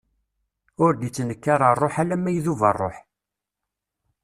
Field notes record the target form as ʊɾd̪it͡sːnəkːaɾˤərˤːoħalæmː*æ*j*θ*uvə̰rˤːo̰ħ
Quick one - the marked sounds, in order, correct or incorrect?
correct, incorrect

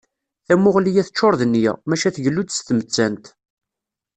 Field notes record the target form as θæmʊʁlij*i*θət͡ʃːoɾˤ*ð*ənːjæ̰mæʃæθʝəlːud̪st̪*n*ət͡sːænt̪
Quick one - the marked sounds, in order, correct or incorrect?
incorrect, correct, incorrect

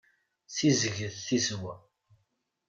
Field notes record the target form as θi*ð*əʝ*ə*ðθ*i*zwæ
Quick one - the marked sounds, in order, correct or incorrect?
incorrect, correct, correct

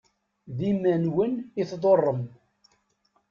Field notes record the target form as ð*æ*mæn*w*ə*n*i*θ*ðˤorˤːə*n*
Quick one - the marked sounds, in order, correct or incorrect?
incorrect, correct, correct, correct, incorrect

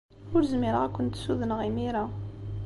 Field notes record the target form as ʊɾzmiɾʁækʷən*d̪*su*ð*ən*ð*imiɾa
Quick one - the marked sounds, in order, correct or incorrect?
incorrect, correct, incorrect

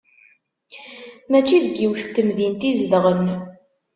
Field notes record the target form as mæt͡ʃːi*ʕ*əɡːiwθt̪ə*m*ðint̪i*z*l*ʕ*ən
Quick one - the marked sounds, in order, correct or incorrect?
incorrect, correct, correct, incorrect

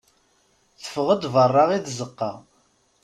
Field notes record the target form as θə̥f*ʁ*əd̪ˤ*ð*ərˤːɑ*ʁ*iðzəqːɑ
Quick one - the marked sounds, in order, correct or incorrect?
correct, incorrect, correct

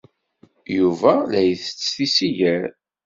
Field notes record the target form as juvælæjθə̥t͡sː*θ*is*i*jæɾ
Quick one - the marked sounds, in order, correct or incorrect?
correct, correct

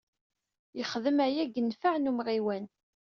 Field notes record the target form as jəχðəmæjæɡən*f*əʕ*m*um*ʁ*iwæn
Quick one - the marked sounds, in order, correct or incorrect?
correct, incorrect, correct

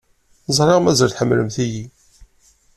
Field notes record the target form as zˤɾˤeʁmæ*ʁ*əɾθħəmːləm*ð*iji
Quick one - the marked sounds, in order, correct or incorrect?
incorrect, incorrect

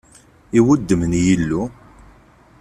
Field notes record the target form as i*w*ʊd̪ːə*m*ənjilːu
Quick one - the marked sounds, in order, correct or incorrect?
correct, correct

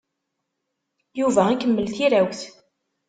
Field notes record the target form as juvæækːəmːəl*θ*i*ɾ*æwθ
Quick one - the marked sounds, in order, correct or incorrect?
correct, correct

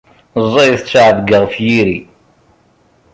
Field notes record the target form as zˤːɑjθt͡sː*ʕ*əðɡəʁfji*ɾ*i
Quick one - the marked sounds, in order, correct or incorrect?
correct, correct

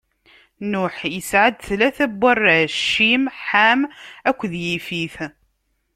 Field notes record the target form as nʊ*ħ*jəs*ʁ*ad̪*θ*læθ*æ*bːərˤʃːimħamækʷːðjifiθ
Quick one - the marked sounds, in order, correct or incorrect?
correct, incorrect, correct, correct

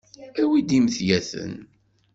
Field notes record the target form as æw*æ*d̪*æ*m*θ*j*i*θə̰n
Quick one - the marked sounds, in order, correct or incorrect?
incorrect, incorrect, correct, incorrect

